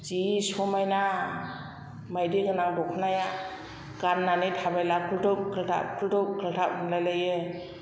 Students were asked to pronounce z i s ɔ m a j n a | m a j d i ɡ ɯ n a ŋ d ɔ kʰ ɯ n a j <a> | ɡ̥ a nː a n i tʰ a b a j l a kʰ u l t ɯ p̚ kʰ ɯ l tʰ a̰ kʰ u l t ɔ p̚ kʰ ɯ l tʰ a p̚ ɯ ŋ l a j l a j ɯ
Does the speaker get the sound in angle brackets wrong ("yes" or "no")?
no